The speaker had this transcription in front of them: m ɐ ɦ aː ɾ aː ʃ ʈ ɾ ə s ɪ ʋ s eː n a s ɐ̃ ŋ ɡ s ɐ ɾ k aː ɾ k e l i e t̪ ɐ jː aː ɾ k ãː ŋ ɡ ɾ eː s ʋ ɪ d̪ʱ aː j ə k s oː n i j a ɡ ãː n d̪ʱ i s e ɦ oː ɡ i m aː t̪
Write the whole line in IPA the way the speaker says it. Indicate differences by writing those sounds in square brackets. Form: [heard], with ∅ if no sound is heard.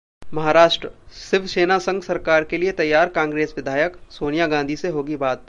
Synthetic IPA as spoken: m ɐ ɦ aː ɾ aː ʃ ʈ ɾ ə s ɪ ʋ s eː n a s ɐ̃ ŋ ɡ s ɐ ɾ k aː ɾ k e l i e t̪ ɐ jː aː ɾ k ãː ŋ ɡ ɾ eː s ʋ ɪ d̪ʱ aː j ə k s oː n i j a ɡ ãː n d̪ʱ i s e ɦ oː ɡ i [b] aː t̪